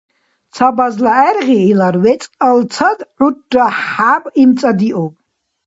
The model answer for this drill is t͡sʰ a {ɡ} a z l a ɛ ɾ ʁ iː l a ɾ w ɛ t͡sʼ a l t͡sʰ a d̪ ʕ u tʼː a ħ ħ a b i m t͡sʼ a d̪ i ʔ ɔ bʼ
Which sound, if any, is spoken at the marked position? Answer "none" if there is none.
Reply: b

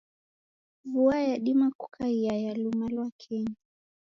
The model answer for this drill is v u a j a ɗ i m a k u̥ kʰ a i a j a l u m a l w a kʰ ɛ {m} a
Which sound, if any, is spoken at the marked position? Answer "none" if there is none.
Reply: ɲ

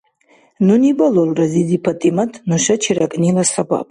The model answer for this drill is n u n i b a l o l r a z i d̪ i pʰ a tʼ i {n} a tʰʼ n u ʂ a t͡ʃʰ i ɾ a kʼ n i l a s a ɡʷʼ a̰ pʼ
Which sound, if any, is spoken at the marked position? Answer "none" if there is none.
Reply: m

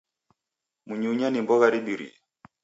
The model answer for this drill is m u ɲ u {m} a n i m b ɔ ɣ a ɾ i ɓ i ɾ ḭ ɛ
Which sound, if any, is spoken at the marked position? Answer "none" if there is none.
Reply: ɲ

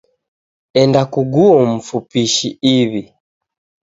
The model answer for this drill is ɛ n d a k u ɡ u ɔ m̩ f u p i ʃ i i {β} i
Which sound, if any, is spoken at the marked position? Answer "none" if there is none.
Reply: β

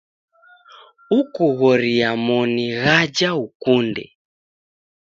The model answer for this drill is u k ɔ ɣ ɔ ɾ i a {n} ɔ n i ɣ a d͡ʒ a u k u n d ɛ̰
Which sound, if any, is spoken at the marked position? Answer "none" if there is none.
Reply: m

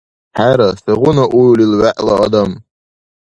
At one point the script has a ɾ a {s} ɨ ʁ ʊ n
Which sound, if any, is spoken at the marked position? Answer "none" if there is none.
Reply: s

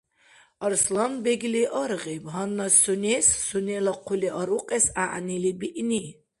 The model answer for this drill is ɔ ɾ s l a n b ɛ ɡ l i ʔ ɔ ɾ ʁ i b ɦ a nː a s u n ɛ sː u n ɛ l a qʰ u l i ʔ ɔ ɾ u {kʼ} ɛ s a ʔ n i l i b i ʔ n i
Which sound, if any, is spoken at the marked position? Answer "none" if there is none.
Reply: qʼ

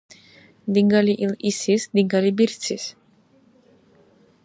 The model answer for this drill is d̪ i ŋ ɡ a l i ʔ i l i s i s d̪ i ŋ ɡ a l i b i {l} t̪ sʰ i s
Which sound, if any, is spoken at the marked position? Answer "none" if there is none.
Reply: ɾ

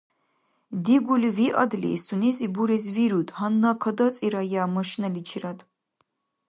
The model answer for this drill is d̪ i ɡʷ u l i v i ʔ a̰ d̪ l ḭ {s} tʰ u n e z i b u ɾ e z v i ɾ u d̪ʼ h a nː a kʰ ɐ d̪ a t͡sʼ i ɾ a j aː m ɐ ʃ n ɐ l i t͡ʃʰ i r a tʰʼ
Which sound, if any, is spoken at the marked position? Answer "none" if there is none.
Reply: s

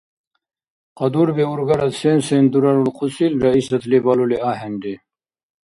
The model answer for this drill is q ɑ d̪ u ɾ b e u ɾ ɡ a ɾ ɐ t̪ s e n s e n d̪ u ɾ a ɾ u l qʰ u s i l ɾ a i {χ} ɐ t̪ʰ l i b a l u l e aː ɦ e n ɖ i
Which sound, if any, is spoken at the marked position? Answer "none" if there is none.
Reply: s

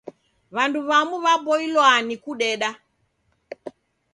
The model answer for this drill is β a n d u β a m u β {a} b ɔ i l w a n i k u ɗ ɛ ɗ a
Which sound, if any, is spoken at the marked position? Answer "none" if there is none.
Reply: a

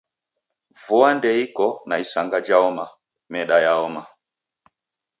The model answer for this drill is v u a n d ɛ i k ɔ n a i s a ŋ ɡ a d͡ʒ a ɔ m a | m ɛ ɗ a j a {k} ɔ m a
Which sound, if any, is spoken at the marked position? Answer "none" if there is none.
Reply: none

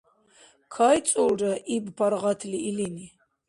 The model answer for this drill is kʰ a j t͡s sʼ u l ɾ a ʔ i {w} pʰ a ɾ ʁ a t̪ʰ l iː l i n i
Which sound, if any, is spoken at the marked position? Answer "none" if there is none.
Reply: b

